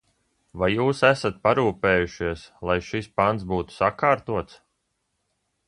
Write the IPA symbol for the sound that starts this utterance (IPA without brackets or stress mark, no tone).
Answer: v